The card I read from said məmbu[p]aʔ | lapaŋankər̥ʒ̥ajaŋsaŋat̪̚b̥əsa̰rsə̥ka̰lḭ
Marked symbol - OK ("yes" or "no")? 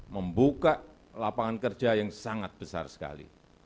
no